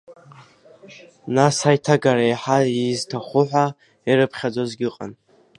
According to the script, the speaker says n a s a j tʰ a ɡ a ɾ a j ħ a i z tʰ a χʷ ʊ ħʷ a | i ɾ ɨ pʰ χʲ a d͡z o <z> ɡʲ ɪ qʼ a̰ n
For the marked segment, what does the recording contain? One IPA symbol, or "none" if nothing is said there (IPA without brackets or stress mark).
z